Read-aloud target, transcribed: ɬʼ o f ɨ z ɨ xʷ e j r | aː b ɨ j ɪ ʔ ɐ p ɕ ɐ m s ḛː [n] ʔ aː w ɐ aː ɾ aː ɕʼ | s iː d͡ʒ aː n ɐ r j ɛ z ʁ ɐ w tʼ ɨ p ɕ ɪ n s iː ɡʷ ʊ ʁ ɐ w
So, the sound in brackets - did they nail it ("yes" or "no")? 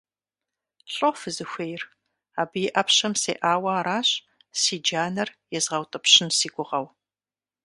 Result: no